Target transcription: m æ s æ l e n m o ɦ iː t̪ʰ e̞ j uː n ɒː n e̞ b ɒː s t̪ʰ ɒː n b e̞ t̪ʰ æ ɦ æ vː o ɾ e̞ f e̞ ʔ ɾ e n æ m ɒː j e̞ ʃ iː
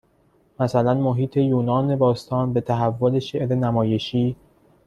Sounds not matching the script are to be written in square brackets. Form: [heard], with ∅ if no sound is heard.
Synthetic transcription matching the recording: m æ s æ l [æ] n m o ɦ iː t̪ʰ e̞ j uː n ɒː n e̞ b ɒː s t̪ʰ ɒː n b e̞ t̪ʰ æ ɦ æ vː o [l] e̞ [ʃ] e̞ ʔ ɾ e n æ m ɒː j e̞ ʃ iː